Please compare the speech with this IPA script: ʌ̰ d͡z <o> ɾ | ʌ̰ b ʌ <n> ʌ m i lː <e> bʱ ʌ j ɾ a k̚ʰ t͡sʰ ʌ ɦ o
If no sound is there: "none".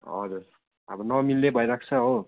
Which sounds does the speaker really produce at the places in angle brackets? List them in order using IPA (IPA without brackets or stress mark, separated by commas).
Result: u, n, e